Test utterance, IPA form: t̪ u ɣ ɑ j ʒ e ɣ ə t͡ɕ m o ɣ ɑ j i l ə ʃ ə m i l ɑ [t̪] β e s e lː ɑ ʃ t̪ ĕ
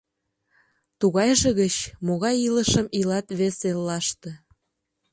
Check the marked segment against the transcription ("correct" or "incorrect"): correct